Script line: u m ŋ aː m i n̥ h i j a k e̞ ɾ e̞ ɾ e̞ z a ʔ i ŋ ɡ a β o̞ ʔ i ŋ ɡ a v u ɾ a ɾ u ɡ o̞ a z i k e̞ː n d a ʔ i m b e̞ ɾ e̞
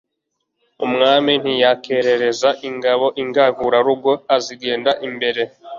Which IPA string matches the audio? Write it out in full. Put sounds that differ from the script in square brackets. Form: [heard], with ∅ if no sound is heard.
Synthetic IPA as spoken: u m ŋ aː m i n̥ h i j a k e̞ ɾ e̞ ɾ e̞ z a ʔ i ŋ ɡ a β o̞ ʔ i ŋ ɡ a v u ɾ a ɾ u ɡ o̞ a z i [ɡ] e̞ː n d a ʔ i m b e̞ ɾ e̞